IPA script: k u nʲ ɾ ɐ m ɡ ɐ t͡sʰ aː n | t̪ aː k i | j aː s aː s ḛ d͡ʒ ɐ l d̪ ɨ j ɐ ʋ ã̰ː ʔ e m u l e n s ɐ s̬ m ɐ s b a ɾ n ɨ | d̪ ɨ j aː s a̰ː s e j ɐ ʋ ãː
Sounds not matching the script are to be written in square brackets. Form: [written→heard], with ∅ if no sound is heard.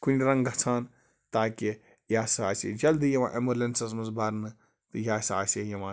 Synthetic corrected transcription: k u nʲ ɾ ɐ [m→ŋ] ɡ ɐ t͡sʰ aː n | t̪ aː k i | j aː s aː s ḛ d͡ʒ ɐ l d̪ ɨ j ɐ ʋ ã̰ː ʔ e m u l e n s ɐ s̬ m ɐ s b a ɾ n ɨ | [d̪→t̪] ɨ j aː s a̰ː s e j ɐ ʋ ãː